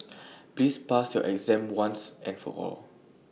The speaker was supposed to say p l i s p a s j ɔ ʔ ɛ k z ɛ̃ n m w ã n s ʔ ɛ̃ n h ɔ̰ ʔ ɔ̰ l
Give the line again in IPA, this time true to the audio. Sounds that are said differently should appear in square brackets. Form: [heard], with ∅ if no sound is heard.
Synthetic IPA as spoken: p l i s p a s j ɔ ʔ ɛ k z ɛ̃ [∅] m w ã n s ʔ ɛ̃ n [f] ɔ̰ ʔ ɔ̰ l